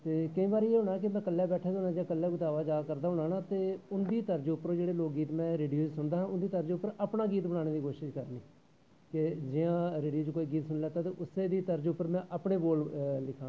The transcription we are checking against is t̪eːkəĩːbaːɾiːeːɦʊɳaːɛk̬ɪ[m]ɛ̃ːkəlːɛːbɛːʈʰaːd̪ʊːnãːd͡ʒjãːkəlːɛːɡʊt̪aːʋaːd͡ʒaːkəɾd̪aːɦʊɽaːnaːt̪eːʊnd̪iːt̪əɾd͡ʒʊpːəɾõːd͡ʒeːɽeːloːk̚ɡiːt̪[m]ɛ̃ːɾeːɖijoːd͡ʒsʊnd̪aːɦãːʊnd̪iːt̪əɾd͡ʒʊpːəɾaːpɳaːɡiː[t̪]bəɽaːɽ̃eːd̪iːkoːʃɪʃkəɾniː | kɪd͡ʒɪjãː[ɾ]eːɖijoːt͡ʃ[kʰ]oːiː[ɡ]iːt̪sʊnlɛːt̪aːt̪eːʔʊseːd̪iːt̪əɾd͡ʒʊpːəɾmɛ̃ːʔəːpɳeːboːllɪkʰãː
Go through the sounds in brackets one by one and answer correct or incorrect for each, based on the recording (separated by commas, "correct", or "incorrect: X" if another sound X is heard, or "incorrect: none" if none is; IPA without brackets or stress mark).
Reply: correct, correct, correct, correct, incorrect: k, correct